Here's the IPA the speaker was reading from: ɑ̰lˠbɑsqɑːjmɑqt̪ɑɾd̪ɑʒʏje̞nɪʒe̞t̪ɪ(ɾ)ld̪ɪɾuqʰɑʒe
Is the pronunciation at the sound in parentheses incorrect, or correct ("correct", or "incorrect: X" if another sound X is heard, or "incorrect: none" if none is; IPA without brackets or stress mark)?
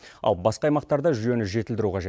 incorrect: none